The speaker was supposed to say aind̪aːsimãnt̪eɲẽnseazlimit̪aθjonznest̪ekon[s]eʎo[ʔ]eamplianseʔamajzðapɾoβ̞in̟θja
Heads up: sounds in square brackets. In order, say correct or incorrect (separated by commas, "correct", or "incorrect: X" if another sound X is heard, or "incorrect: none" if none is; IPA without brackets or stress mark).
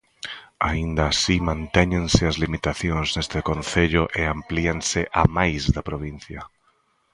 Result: incorrect: θ, correct